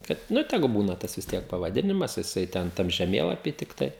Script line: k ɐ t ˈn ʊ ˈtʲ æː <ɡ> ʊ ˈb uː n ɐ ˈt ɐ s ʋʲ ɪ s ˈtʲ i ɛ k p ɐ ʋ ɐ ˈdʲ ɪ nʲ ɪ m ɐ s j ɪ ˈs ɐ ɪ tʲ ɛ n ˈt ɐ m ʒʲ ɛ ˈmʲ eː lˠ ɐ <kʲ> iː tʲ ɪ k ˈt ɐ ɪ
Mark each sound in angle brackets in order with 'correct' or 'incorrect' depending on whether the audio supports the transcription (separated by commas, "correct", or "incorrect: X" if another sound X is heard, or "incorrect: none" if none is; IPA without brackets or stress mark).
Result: correct, incorrect: pʲ